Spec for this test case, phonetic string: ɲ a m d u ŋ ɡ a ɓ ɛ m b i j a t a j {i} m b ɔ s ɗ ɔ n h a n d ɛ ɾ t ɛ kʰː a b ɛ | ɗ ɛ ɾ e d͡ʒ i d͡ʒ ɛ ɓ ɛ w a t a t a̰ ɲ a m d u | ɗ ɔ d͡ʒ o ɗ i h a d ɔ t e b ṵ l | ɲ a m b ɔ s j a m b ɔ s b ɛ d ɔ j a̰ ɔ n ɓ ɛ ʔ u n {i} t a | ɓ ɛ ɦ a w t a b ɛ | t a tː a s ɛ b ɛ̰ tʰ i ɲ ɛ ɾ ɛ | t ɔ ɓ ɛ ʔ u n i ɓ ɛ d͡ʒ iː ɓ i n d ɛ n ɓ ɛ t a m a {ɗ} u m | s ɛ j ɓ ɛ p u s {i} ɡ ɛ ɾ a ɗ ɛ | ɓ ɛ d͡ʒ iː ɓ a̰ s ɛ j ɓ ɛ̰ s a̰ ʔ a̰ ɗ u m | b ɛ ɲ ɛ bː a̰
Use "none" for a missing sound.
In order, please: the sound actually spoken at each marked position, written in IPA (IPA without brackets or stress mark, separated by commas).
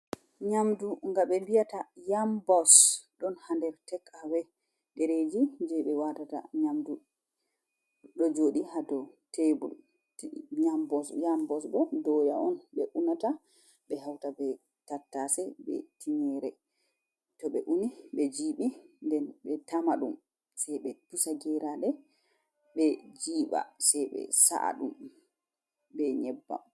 a, a, ɗ, a